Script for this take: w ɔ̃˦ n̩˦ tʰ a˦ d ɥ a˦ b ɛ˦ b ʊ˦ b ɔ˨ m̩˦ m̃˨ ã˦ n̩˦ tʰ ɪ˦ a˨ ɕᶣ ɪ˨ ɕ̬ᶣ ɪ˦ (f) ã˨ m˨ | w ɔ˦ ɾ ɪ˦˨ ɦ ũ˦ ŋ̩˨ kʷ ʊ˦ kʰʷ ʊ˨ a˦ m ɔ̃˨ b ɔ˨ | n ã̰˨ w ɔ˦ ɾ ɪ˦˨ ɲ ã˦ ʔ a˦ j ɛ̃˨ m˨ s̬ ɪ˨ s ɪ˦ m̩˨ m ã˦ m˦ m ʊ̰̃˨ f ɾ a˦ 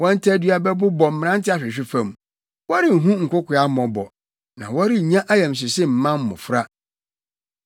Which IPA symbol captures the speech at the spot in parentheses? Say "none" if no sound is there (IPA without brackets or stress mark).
f